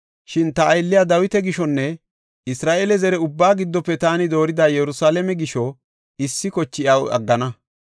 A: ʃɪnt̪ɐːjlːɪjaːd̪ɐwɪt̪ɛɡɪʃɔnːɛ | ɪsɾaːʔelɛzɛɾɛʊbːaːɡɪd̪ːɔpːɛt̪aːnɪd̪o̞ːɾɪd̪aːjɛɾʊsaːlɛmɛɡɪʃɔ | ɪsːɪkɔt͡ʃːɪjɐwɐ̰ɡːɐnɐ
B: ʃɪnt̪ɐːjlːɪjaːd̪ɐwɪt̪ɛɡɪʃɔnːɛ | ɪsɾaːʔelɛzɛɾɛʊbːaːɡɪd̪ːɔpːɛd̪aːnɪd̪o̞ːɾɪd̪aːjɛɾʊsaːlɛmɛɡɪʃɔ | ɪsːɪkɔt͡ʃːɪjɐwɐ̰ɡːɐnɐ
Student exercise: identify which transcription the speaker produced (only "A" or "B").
A